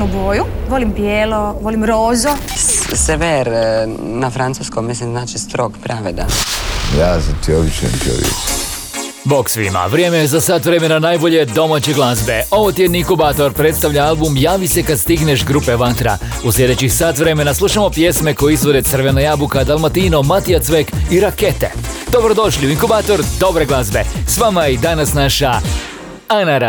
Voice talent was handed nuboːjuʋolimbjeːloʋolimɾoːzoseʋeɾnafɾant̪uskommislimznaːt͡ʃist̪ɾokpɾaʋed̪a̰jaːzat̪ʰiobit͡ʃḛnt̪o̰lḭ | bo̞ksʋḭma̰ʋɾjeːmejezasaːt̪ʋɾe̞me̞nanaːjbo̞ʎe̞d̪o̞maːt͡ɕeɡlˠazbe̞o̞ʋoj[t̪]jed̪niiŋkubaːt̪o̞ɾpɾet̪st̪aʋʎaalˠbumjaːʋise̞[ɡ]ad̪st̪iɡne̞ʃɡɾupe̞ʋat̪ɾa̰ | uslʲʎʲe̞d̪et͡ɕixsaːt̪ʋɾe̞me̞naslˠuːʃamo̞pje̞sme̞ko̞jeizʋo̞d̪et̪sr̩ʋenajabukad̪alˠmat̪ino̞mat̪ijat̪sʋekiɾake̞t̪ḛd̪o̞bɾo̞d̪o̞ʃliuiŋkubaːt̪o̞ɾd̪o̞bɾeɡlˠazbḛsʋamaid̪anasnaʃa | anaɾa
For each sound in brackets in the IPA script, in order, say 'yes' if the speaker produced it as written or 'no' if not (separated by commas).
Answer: yes, no